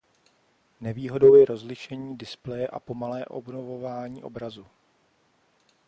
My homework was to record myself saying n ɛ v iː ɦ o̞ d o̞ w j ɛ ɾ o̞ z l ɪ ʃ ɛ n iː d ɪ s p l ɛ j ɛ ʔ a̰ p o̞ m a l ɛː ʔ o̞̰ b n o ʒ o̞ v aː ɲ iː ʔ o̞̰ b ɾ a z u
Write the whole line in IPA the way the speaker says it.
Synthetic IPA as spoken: n ɛ v iː ɦ o̞ d o̞ w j ɛ ɾ o̞ z l ɪ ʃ ɛ ɲ iː d ɪ s p l ɛ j ɛ ʔ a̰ p o̞ m a l ɛː ʔ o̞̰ b n o v o̞ v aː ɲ iː ʔ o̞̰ b ɾ a z u